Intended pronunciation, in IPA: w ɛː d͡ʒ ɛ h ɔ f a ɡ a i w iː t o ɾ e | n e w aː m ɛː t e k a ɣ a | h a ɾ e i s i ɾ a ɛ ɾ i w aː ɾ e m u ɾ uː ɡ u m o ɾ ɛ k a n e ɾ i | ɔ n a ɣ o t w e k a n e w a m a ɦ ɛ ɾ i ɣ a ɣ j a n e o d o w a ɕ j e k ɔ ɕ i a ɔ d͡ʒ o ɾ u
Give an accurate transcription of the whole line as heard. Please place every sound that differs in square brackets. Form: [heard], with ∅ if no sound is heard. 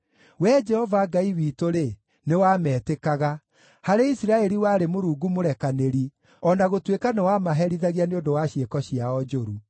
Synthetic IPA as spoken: w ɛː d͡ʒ ɛ h ɔ [v] a ɡ a i w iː t o ɾ e | n e w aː m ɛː t e k a ɣ a | h a ɾ e i s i ɾ a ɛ ɾ i w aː ɾ e m [o] ɾ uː ɡ u m o ɾ ɛ k a n e ɾ i | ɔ n a ɣ o t w e k a n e w a m a ɦ ɛ ɾ i [ð] a ɣ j a n e o d o w a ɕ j e k ɔ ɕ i a ɔ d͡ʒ o ɾ u